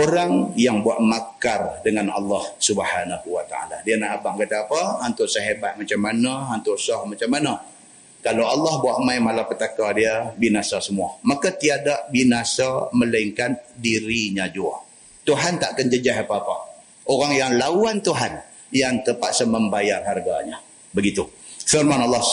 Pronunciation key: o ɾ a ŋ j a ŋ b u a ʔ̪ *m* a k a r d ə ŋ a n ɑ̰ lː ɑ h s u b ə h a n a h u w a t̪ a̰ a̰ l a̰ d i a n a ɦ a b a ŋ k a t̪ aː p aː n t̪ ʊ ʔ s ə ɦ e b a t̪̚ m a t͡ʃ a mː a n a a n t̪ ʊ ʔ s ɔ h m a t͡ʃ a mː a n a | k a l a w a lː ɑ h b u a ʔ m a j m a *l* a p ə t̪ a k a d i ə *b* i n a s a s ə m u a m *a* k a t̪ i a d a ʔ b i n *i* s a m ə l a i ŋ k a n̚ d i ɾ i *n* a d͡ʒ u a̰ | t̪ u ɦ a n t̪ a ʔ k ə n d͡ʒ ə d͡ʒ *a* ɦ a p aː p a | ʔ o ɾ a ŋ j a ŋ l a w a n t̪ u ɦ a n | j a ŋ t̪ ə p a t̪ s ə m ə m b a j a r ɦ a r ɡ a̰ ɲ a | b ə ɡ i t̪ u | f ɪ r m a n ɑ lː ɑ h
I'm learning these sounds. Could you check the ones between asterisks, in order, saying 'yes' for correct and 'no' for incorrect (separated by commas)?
yes, yes, yes, yes, no, no, yes